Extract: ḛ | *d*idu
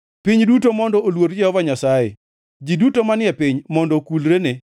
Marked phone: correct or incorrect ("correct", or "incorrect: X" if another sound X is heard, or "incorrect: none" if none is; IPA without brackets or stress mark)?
incorrect: d͡ʒ